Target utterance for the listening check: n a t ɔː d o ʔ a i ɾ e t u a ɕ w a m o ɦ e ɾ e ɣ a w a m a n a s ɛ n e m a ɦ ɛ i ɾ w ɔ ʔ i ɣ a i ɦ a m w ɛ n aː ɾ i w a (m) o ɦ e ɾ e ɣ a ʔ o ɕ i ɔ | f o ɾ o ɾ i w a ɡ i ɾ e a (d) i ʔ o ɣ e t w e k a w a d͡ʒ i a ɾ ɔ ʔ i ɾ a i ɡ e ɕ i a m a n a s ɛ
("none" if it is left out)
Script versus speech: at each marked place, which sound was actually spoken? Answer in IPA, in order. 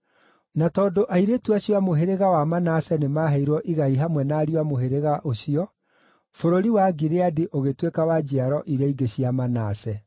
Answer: m, d

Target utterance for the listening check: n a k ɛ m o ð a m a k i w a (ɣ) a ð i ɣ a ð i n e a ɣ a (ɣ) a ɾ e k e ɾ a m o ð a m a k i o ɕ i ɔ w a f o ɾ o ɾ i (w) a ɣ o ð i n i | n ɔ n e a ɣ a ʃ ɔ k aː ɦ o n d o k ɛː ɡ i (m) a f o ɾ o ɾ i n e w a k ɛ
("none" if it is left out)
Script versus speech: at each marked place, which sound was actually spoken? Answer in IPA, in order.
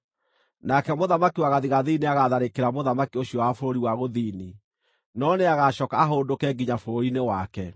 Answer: ɣ, ð, w, ɲ

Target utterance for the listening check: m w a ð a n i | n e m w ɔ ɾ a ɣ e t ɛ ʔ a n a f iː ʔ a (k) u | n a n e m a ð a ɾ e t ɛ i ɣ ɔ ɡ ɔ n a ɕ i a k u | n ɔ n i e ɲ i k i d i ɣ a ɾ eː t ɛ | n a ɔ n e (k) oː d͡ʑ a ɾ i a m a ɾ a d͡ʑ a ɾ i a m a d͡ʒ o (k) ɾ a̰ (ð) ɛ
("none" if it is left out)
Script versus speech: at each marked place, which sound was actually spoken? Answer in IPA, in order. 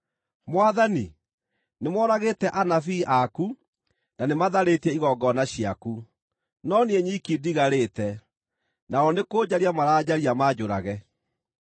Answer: k, k, none, ɣ

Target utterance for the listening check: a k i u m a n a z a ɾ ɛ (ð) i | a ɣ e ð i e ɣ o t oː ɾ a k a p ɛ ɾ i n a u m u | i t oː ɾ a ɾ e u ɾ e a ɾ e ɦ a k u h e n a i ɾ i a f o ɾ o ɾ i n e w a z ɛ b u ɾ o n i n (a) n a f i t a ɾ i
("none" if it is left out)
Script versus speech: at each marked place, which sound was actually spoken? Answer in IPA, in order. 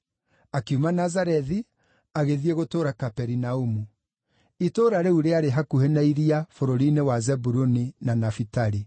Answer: ð, a

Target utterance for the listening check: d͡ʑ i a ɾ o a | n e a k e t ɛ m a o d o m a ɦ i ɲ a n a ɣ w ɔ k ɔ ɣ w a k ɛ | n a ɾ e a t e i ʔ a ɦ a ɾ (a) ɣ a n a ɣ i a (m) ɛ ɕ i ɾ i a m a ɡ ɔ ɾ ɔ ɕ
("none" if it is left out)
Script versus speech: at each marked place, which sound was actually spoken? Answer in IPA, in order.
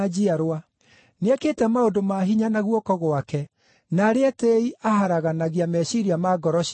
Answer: a, m

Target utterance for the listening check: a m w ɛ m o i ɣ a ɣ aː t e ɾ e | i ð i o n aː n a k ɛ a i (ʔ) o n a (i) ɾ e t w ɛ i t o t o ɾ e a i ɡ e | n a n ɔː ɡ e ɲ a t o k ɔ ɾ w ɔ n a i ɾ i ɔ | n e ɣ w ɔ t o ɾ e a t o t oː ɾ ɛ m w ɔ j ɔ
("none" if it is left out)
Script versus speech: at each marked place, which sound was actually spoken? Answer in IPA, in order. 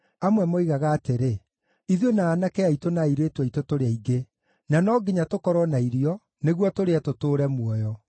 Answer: t, i

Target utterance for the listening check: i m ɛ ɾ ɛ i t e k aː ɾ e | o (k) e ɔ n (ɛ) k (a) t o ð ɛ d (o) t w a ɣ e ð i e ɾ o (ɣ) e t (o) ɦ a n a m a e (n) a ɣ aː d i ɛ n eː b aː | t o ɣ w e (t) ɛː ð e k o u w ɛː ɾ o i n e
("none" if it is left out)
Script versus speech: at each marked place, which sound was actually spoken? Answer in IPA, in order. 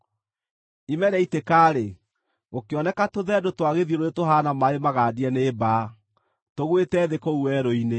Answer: k, ɛ, a, o, none, o, m, t

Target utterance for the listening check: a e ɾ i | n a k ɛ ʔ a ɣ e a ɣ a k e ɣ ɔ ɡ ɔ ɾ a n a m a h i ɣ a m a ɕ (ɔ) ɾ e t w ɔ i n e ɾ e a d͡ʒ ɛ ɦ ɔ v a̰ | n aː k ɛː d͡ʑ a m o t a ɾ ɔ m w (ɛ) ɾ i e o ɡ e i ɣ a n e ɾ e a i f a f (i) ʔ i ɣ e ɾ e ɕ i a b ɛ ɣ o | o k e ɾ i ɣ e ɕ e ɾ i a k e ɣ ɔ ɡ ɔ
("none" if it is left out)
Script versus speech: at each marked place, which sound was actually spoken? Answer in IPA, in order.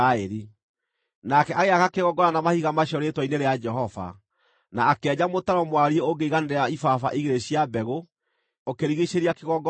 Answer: ɔ, a, a

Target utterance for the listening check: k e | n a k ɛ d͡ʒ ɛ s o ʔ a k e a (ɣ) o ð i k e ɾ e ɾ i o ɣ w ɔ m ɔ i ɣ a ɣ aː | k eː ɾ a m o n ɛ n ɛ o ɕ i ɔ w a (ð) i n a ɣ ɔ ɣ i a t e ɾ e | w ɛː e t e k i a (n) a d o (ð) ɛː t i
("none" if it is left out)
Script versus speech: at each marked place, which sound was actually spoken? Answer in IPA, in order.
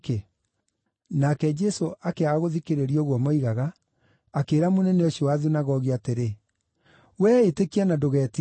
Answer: ɣ, ð, n, ɣ

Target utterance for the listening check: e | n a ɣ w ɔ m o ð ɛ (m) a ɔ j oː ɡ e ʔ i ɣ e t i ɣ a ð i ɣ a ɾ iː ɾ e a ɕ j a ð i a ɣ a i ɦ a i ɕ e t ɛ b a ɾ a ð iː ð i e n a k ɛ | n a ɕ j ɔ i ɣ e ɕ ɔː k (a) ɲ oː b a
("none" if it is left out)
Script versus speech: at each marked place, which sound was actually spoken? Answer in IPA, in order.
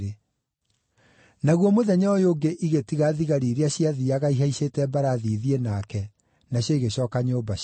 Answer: ɲ, a

